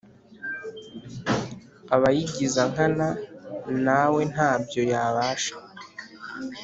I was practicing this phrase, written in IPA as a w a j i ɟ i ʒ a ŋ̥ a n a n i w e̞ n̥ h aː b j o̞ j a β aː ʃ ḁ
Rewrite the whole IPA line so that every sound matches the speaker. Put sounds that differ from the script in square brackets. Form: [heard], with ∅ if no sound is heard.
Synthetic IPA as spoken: a [β] a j i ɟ i [z] a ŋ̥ a n a n [a] w e̞ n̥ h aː b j o̞ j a β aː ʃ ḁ